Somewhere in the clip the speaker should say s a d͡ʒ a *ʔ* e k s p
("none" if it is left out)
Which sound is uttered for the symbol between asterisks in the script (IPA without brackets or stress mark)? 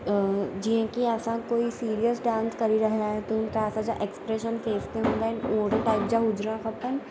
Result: ʔ